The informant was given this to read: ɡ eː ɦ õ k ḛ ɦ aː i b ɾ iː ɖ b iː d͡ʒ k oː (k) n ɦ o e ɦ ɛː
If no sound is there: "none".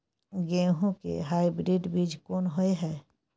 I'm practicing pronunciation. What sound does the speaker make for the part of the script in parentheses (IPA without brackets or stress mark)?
none